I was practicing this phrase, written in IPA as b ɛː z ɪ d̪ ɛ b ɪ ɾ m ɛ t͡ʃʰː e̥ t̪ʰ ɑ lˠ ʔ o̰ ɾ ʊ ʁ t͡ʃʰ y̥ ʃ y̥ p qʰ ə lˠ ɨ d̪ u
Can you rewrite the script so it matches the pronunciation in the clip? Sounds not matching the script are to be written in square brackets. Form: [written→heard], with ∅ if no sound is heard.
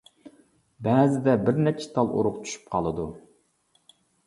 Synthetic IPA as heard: b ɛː z ɪ d̪ ɛ b ɪ ɾ [m→n] ɛ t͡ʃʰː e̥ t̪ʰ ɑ lˠ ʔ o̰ ɾ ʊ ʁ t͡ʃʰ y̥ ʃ y̥ p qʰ [ə→ɑ] lˠ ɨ d̪ u

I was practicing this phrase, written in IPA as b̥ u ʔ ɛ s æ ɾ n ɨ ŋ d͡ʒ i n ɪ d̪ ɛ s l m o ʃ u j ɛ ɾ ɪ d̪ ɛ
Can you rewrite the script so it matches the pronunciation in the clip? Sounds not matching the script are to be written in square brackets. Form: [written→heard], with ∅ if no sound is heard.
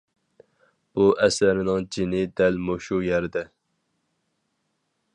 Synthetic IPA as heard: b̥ u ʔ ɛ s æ ɾ n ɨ ŋ d͡ʒ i n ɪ d̪ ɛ [s→∅] l m o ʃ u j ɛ ɾ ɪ d̪ ɛ

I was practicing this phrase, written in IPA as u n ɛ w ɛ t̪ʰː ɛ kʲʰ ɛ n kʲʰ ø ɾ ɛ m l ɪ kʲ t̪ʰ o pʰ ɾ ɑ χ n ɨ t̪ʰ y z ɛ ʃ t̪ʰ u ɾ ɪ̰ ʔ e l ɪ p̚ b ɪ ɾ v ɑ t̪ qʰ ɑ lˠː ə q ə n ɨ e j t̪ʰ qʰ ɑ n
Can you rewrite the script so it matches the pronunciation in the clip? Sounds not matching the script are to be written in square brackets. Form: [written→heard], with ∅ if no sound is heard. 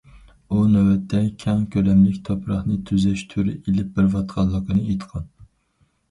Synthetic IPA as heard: u n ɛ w ɛ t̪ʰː ɛ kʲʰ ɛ [n→ŋ] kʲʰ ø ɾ ɛ m l ɪ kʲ t̪ʰ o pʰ ɾ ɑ χ n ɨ t̪ʰ y z ɛ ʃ t̪ʰ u ɾ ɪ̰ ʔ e l ɪ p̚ b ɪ ɾ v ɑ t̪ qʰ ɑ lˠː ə q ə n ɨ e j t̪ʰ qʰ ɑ n

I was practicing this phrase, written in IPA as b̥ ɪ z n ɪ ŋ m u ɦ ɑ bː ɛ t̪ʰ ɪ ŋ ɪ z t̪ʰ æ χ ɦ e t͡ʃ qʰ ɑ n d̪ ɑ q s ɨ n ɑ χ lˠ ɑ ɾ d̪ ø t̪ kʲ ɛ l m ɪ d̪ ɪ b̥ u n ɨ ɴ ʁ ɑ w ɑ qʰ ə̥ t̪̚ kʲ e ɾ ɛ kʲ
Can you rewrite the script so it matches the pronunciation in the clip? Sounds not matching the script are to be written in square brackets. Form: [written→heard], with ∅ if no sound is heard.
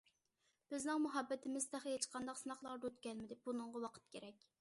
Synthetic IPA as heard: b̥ ɪ z n ɪ ŋ m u ɦ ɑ bː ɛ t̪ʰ ɪ [ŋ→m] ɪ z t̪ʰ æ χ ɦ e t͡ʃ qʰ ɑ n d̪ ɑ q s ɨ n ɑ χ lˠ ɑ ɾ d̪ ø t̪ kʲ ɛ l m ɪ d̪ ɪ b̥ u n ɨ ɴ ʁ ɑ w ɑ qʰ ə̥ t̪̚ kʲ e ɾ ɛ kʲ

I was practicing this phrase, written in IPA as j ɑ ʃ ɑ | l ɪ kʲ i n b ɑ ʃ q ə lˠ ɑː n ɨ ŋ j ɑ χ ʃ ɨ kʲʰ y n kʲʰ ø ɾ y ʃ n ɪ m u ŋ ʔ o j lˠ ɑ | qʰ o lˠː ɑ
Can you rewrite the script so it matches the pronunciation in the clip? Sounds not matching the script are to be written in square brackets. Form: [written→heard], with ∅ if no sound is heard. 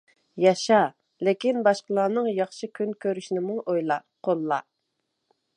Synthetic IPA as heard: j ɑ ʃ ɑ | l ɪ kʲ i n b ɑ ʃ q ə lˠ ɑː n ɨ ŋ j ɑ χ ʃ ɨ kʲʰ y n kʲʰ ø ɾ y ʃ n ɪ m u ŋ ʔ o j lˠ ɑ | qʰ o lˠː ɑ

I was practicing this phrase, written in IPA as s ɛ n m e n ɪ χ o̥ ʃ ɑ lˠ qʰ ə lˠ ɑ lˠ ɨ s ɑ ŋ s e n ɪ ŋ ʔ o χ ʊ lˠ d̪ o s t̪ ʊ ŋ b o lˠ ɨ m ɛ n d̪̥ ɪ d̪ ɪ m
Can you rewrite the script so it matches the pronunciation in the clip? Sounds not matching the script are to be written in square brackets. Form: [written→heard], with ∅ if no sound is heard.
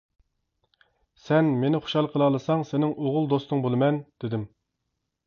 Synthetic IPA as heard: s ɛ n m e n ɪ χ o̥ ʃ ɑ lˠ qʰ ə lˠ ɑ lˠ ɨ s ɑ ŋ s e n ɪ ŋ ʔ o [χ→ʁ] ʊ lˠ d̪ o s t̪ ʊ ŋ b o lˠ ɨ m ɛ n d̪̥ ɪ d̪ ɪ m

